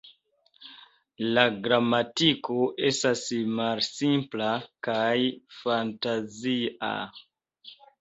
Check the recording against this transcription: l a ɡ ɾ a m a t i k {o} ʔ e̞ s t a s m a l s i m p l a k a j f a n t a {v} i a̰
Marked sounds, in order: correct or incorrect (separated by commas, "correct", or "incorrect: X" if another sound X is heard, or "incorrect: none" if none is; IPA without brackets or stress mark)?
correct, incorrect: z